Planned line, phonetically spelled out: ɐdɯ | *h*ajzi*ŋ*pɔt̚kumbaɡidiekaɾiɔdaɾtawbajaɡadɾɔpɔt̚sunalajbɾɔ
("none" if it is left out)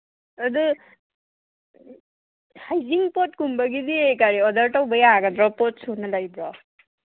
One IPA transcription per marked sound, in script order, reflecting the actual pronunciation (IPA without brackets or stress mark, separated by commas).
h, ŋ